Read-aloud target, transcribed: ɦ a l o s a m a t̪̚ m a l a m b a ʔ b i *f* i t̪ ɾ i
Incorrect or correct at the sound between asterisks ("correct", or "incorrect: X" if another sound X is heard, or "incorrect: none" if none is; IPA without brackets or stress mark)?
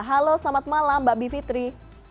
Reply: correct